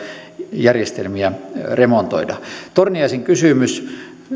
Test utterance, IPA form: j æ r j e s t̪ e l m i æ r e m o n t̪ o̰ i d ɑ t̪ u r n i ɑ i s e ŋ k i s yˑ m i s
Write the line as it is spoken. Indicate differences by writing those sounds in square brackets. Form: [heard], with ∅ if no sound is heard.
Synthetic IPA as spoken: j æ r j e s t̪ e l m i æ r e m o n t̪ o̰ i d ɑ t̪ [o] r n i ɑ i s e ŋ k [y] s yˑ m [y] s